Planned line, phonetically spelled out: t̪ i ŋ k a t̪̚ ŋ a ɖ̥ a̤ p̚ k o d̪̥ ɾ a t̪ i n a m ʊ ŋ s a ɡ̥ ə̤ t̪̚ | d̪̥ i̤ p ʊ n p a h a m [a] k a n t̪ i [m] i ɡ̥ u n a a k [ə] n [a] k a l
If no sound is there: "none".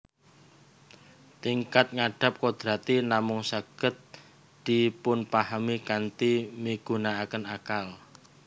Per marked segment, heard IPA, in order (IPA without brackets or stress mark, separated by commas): i, m, ə, a